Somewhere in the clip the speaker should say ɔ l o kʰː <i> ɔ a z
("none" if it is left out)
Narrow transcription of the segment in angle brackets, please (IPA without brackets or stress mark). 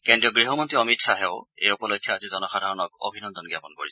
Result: j